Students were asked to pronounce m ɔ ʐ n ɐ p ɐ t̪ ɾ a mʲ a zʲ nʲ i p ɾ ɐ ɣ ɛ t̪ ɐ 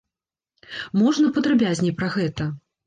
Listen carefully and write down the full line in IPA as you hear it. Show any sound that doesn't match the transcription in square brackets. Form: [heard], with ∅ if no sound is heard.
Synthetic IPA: m ɔ ʐ n ɐ p ɐ [d̪] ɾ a [bʲ] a zʲ nʲ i p ɾ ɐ ɣ ɛ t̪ ɐ